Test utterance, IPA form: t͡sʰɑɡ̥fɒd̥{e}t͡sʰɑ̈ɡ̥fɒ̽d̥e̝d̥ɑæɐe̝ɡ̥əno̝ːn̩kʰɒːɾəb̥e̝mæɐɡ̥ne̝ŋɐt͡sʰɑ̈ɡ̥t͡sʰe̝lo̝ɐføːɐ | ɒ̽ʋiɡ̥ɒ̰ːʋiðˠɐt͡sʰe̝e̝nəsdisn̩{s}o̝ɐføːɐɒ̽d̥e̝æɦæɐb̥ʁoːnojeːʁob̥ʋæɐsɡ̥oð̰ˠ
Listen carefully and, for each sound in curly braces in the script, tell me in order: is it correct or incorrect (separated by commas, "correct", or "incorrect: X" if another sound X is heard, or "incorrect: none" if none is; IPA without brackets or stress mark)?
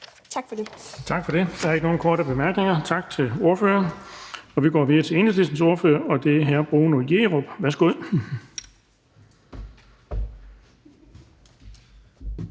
correct, correct